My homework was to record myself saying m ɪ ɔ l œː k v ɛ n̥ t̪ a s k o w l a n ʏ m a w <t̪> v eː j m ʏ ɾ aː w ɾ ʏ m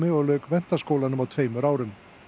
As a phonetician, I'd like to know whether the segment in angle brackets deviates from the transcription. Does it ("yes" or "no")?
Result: yes